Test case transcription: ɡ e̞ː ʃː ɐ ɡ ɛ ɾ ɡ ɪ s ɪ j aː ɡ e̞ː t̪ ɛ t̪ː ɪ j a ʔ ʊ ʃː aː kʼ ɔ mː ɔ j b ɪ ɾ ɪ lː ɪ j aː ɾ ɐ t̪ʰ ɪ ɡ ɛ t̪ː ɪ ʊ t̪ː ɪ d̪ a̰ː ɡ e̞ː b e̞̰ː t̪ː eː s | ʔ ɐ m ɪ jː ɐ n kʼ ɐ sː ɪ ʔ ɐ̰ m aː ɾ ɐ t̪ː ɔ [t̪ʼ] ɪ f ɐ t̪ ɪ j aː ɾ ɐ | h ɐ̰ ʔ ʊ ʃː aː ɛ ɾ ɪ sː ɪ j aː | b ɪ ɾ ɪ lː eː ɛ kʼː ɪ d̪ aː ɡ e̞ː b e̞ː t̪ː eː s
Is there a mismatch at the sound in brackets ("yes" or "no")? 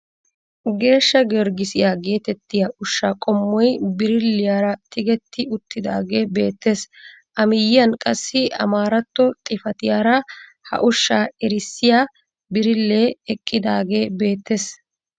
no